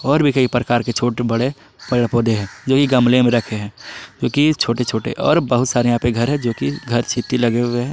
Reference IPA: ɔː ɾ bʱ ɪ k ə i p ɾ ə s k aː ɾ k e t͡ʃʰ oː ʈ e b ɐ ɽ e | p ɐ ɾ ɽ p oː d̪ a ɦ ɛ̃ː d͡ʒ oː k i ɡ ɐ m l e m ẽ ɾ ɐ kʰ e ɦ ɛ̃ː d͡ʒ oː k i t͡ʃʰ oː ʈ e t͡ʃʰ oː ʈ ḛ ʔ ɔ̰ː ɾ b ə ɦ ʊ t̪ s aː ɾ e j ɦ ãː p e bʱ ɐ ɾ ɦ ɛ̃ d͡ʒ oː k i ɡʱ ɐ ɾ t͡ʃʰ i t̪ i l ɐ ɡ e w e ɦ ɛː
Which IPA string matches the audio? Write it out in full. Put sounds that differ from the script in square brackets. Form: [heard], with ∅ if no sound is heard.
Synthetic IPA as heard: ɔː ɾ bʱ [i] k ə i p ɾ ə [∅] k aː ɾ k e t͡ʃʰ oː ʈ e b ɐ ɽ e | p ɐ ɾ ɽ p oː d̪ [e] ɦ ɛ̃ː d͡ʒ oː k i ɡ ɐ m l e m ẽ ɾ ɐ kʰ e ɦ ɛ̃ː d͡ʒ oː k i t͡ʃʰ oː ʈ e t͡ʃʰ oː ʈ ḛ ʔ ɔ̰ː ɾ b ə ɦ ʊ t̪ s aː ɾ e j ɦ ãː p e [ɡʱ] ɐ ɾ ɦ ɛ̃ d͡ʒ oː k i ɡʱ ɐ ɾ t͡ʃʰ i t̪ i l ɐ ɡ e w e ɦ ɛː

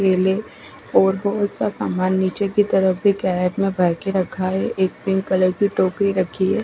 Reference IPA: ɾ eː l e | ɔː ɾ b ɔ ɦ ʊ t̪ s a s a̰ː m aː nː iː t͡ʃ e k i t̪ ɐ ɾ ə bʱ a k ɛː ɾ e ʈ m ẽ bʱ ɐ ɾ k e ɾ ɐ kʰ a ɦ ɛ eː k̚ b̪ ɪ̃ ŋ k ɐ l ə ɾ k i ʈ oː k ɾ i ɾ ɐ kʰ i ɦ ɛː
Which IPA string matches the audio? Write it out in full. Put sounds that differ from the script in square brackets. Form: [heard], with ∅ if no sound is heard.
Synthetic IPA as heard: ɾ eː l e | ɔː ɾ b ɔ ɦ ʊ t̪ s a s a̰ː m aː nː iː t͡ʃ e k i t̪ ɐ ɾ ə bʱ [i] k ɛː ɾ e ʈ m ẽ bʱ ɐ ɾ k e ɾ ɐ kʰ a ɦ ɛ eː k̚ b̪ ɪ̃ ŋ k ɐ l ə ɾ k i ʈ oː k ɾ i ɾ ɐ kʰ i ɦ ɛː

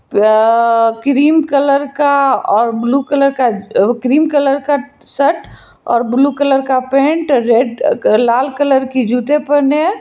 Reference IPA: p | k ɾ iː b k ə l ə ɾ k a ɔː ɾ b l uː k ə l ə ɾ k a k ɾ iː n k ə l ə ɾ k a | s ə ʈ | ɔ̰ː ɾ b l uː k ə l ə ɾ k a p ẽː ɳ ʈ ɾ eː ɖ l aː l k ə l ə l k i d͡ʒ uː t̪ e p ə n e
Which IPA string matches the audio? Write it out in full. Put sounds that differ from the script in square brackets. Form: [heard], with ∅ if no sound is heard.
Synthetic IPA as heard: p | k ɾ iː [m] k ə l ə ɾ k a ɔː ɾ b l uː k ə l ə ɾ k a k ɾ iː [m] k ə l ə ɾ k a | s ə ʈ | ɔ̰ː ɾ b l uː k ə l ə ɾ k a p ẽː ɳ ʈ ɾ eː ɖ l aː l k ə l ə [ɾ] k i d͡ʒ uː t̪ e p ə n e

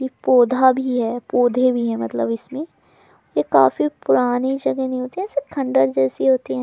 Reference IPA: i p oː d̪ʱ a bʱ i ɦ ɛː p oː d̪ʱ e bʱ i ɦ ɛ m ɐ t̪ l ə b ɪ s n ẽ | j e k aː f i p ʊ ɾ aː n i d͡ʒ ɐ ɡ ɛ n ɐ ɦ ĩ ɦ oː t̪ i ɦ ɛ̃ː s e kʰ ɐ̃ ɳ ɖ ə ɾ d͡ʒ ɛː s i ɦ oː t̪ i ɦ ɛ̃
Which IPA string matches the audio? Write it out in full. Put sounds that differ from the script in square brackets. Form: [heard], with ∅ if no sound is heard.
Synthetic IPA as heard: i p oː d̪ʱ a bʱ i ɦ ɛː p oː d̪ʱ e bʱ i ɦ ɛ m ɐ t̪ l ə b ɪ s [m] ẽ | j e k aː f i p ʊ ɾ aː n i d͡ʒ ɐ ɡ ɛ n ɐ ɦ ĩ ɦ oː t̪ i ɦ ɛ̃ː s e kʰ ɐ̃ ɳ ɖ ə ɾ d͡ʒ ɛː s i ɦ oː t̪ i ɦ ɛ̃

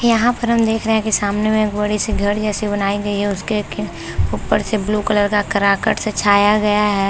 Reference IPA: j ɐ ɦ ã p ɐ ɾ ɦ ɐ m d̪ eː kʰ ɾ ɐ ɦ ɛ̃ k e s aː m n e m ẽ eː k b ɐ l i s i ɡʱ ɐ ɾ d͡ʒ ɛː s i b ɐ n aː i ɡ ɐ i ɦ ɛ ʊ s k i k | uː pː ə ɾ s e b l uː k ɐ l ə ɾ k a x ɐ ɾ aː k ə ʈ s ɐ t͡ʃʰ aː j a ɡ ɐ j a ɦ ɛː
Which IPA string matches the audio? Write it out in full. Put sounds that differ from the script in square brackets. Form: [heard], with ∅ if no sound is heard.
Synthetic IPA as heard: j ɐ ɦ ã p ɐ ɾ ɦ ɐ m d̪ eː kʰ ɾ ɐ ɦ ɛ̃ k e s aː m n e m ẽ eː k b ɐ [ɽ] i s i ɡʱ ɐ ɾ d͡ʒ ɛː s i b ɐ n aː i ɡ ɐ i ɦ ɛ ʊ s k [e] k | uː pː ə ɾ s e b l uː k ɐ l ə ɾ k a [k] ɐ ɾ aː k ə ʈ s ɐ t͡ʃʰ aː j a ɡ ɐ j a ɦ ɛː

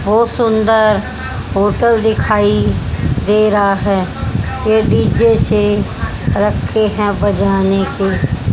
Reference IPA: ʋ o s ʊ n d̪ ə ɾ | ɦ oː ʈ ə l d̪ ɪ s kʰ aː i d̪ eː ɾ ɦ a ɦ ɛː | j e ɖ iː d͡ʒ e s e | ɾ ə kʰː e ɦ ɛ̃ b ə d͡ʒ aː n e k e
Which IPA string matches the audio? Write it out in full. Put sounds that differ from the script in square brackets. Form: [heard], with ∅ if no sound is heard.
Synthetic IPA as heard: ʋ o s ʊ n d̪ ə ɾ | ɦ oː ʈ ə l d̪ ɪ [∅] kʰ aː i d̪ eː ɾ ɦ a ɦ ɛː | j e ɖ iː d͡ʒ e s e | ɾ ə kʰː e ɦ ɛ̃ b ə d͡ʒ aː n e k e

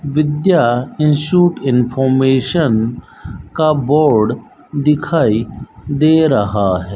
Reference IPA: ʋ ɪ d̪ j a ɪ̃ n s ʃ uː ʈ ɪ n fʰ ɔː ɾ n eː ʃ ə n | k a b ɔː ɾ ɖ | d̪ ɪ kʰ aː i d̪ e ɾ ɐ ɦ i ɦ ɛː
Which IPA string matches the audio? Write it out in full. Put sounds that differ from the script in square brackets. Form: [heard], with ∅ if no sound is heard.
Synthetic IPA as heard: ʋ ɪ d̪ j a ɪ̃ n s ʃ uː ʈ ɪ n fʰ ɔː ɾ [m] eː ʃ ə n | k a b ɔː ɾ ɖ | d̪ ɪ kʰ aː i d̪ e ɾ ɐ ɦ [a] ɦ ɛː

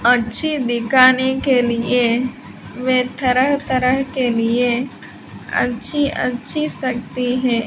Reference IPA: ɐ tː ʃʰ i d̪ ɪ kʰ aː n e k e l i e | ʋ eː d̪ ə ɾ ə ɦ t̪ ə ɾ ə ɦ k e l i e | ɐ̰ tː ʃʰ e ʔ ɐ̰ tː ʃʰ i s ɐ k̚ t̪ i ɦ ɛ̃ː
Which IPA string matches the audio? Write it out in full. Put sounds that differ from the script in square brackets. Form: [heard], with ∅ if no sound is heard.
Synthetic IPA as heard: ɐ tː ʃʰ i d̪ ɪ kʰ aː n e k e l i e | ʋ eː [t̪] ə ɾ ə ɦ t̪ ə ɾ ə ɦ k e l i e | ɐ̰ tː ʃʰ [i] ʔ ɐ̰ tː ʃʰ i s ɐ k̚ t̪ i ɦ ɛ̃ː

